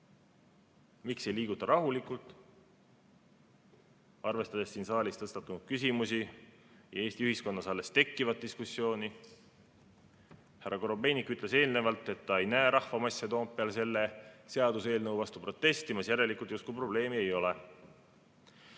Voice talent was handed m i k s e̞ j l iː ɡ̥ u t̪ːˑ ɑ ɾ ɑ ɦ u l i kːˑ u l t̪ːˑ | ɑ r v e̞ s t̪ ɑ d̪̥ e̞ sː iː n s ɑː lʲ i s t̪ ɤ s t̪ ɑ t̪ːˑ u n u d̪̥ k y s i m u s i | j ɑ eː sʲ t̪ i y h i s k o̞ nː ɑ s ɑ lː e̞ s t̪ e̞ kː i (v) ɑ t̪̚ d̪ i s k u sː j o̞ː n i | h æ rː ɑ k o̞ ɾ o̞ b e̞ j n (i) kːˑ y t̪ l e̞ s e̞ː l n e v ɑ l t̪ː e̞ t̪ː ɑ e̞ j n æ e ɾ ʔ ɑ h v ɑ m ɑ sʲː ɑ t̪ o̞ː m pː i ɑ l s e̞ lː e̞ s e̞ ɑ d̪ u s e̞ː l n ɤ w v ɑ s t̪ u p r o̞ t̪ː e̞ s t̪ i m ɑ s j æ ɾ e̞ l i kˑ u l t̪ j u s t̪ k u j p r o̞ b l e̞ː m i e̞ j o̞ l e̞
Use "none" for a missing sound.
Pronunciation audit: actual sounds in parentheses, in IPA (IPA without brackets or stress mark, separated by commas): v, i